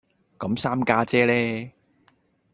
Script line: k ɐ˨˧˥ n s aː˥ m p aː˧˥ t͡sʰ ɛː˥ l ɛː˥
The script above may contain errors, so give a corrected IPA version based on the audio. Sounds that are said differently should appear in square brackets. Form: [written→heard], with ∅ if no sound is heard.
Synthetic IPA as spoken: k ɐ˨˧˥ [n→m] s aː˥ m [p→k] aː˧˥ [t͡sʰ→t͡s] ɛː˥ l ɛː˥